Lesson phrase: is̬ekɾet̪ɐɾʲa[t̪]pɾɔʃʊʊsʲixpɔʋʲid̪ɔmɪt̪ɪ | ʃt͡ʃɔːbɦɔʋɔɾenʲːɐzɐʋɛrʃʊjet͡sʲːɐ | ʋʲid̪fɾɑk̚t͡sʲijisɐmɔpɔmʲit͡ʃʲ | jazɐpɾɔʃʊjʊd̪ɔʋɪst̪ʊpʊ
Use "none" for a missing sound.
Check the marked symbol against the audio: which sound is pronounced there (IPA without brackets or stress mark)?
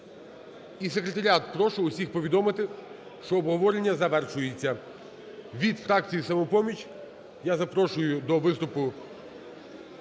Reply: t̪